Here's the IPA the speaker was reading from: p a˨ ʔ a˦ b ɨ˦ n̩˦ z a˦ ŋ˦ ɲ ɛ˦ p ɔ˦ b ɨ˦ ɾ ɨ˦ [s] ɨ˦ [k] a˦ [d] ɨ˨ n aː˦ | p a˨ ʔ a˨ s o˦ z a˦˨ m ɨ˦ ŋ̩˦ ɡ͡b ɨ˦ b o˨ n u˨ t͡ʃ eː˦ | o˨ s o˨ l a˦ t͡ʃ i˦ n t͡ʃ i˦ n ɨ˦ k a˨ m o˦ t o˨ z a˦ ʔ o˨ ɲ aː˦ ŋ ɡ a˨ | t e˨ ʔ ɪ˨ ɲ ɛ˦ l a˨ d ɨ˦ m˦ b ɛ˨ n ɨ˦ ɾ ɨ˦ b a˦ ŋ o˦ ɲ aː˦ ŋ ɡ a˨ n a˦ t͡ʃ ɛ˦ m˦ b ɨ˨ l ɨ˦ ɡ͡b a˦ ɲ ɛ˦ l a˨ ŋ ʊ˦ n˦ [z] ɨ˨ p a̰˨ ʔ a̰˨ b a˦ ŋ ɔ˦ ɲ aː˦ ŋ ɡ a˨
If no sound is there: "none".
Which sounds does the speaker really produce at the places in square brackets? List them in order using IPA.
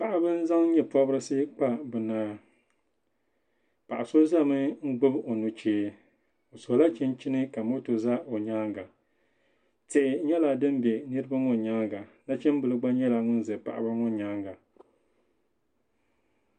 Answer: s, k͡p, b, z

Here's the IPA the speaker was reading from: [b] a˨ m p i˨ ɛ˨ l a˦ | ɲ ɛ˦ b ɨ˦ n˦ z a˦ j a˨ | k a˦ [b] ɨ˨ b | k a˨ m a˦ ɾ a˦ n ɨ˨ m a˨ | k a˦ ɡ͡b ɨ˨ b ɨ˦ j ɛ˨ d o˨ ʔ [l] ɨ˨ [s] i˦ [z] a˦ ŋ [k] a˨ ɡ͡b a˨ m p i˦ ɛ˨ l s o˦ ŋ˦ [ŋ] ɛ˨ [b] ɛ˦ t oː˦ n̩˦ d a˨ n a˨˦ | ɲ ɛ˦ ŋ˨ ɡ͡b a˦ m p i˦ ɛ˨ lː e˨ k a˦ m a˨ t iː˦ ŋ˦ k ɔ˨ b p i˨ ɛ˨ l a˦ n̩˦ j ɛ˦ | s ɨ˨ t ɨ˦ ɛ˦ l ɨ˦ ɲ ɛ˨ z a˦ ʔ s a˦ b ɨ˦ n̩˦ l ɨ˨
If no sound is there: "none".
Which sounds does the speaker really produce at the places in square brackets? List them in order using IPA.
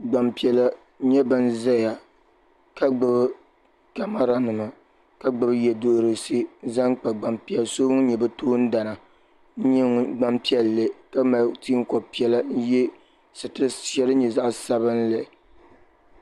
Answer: ɡ͡b, ɡ͡b, ɾ, s, z, k͡p, ɲ, b

